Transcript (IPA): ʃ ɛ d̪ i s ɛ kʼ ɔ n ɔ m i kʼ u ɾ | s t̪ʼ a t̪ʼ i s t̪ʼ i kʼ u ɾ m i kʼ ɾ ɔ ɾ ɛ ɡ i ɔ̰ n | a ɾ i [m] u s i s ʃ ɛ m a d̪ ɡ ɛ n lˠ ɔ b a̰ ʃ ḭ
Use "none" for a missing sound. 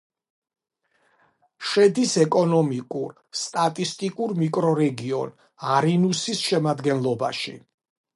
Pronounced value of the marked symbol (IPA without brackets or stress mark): n